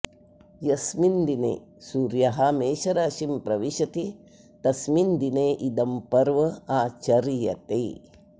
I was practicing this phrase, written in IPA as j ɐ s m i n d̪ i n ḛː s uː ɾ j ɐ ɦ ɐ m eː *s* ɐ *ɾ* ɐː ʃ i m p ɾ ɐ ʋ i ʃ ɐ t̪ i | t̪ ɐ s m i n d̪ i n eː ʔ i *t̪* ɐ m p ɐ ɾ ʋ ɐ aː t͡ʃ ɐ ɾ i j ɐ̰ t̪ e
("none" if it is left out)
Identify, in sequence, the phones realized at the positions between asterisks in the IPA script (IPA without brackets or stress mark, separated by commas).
ʃ, ɾ, d̪